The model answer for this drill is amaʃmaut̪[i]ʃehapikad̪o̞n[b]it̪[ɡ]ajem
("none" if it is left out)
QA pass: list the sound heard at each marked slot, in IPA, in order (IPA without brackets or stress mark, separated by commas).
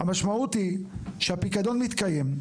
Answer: i, m, k